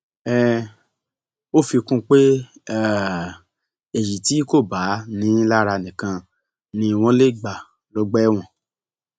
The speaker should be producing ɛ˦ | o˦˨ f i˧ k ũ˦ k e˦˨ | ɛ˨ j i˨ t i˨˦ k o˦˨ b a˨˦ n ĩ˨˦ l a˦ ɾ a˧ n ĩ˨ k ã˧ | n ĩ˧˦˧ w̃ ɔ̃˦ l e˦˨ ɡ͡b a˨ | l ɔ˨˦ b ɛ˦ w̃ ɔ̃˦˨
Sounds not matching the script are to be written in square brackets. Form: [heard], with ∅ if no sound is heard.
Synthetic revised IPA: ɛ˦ | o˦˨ f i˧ k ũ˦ [k͡p] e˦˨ | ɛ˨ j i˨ t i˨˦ k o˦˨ b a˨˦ n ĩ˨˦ l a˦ ɾ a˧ n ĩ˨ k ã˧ | n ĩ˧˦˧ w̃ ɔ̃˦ l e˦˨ ɡ͡b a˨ | l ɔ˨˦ [ɡ͡b] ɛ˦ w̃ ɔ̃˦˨

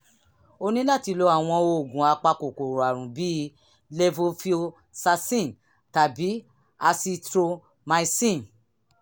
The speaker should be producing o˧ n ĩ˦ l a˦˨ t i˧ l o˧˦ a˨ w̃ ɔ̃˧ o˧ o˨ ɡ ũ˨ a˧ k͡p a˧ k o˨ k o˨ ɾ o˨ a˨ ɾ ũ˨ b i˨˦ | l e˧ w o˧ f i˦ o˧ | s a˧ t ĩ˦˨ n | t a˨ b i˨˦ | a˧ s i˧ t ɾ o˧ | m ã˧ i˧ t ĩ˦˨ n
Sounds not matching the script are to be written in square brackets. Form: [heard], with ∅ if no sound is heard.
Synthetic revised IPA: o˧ n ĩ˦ l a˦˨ t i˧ l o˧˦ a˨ w̃ ɔ̃˧ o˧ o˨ ɡ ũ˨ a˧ k͡p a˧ k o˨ k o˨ ɾ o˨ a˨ ɾ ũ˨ b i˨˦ | l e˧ [v] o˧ f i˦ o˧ | s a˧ [s] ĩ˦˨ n | t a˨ b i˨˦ | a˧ s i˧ t ɾ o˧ | m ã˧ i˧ [s] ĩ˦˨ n

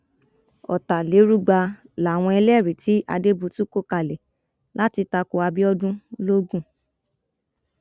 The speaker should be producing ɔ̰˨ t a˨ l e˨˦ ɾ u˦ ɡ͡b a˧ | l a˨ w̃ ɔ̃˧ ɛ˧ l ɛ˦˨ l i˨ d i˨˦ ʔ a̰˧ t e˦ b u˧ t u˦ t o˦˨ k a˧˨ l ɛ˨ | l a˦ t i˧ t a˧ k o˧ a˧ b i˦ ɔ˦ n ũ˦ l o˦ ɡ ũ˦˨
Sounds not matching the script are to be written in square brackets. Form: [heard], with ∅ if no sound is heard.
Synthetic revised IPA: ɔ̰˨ t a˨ l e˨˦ ɾ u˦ ɡ͡b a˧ | l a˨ w̃ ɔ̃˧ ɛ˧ l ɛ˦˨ [ɾ] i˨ [t] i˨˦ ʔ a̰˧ [d] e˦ b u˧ t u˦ [k] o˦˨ k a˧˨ l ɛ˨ | l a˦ t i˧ t a˧ k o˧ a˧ b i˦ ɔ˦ [d] ũ˦ l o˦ ɡ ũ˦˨

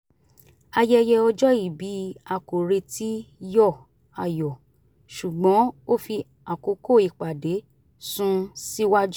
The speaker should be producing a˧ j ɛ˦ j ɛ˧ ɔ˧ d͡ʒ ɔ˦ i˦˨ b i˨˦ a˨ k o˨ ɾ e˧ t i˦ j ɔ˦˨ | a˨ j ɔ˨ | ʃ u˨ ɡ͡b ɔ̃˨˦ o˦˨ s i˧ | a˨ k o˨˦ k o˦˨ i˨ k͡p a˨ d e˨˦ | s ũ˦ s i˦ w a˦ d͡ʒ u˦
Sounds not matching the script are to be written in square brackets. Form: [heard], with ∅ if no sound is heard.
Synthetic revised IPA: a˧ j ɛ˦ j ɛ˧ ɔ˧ d͡ʒ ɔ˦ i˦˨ b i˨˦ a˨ k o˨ ɾ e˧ t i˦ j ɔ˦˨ | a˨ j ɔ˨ | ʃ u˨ ɡ͡b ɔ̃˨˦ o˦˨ [f] i˧ | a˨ k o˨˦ k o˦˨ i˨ k͡p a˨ d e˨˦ | s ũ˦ s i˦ w a˦ d͡ʒ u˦

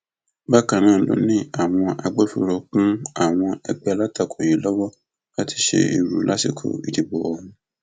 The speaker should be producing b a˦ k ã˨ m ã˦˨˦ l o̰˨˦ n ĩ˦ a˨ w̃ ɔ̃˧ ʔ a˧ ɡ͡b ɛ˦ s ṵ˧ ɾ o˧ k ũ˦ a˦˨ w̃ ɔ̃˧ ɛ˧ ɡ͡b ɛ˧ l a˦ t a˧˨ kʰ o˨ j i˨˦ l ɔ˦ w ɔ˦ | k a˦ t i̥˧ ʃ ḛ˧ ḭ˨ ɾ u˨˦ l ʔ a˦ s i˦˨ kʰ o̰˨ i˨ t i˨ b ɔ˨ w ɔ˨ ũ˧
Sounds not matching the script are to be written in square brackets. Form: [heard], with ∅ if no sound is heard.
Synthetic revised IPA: b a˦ k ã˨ [n] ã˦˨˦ l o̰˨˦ n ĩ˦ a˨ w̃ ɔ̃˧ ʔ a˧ ɡ͡b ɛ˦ [f] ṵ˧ ɾ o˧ k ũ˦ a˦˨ w̃ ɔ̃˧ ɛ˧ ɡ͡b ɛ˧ l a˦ t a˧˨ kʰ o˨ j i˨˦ l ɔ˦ w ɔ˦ | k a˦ t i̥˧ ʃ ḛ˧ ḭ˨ ɾ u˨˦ l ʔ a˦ s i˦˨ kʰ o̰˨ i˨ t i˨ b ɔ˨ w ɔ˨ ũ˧

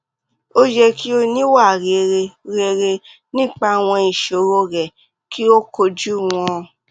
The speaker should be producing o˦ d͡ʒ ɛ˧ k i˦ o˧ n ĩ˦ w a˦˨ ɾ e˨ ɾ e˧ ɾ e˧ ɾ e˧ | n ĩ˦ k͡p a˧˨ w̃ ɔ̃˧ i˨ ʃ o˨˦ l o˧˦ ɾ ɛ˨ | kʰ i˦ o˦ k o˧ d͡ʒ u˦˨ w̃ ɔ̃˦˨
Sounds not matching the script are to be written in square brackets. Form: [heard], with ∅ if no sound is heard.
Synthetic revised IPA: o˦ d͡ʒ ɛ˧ k i˦ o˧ n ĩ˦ w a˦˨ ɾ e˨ ɾ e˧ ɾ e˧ ɾ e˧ | n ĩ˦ k͡p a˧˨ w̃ ɔ̃˧ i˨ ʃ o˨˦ [ɾ] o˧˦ ɾ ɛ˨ | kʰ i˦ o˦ k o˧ d͡ʒ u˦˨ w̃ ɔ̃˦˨

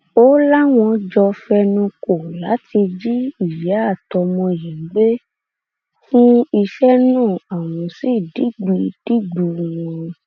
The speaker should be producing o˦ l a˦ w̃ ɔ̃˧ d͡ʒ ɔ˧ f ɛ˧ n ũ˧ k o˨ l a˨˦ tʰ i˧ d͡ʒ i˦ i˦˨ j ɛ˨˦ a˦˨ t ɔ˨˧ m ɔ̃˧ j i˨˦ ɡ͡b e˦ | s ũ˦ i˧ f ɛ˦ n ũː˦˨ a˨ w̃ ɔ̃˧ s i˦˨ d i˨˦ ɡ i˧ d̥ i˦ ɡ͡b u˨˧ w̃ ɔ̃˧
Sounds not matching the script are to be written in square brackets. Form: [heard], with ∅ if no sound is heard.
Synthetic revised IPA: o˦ l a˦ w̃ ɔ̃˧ d͡ʒ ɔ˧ f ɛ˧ n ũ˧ k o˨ l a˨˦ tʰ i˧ d͡ʒ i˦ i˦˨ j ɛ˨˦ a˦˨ t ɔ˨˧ m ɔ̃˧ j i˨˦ ɡ͡b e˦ | [f] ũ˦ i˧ [ʃ] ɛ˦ n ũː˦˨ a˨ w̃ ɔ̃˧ s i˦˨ d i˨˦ [ɡ͡b] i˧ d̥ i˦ ɡ͡b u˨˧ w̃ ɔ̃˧

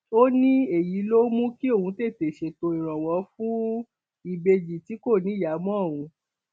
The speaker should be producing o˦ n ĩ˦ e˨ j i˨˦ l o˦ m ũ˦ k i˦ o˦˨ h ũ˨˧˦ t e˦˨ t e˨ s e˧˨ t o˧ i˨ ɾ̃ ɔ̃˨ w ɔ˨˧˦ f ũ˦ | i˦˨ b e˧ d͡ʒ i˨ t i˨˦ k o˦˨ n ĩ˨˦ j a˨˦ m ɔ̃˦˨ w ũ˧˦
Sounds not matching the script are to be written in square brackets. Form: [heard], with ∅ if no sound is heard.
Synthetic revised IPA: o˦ n ĩ˦ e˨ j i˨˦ l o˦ m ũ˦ k i˦ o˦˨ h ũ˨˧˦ t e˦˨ t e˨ [ʃ] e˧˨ t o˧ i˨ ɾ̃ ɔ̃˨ w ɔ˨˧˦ f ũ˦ | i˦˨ b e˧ d͡ʒ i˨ t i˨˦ k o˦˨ n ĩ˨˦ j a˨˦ m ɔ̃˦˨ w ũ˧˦

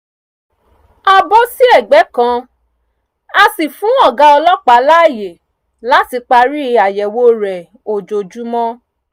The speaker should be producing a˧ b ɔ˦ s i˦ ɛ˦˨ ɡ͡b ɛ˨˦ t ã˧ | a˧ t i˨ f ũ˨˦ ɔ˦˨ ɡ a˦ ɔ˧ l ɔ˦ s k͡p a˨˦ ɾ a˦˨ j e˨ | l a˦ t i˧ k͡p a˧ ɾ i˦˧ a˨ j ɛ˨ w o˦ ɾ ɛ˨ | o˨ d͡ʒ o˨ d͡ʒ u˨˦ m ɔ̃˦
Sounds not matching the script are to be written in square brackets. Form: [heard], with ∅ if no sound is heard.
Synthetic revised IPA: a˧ b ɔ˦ s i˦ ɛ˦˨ ɡ͡b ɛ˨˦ [k] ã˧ | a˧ [s] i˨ f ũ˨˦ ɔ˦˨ ɡ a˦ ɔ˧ l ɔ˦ [∅] k͡p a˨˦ [l] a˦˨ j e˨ | l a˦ t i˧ k͡p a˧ ɾ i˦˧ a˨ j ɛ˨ w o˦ ɾ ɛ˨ | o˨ d͡ʒ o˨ d͡ʒ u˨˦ m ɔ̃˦

